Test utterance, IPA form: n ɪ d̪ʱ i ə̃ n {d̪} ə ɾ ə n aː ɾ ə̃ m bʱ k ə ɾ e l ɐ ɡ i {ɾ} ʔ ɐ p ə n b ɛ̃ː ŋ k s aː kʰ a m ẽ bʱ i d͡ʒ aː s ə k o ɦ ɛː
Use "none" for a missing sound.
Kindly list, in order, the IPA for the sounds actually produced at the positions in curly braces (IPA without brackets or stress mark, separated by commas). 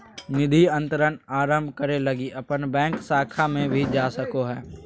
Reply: t̪, none